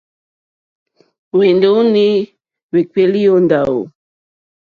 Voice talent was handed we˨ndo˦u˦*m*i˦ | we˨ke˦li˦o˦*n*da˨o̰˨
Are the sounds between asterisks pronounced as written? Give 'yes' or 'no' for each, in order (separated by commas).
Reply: no, yes